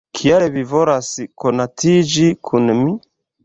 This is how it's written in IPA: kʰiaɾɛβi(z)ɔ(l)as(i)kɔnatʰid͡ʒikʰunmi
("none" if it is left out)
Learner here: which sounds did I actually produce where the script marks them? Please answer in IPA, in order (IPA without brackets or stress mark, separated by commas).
v, ɾ, i